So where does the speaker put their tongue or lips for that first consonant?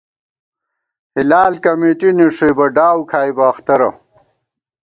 throat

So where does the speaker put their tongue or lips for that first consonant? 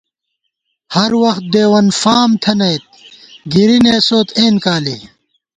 throat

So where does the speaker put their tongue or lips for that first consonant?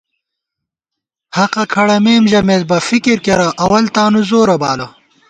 throat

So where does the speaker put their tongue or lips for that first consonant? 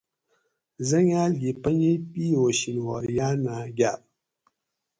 tongue tip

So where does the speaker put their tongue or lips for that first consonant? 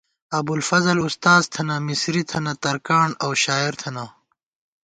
lips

